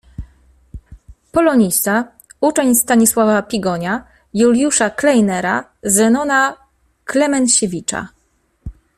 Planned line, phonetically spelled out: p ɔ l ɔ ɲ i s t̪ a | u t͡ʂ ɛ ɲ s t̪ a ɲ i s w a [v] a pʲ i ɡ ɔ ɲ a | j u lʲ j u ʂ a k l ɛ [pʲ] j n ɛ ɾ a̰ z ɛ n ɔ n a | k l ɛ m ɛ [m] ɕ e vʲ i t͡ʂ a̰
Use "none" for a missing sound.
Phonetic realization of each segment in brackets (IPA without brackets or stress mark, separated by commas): v, none, n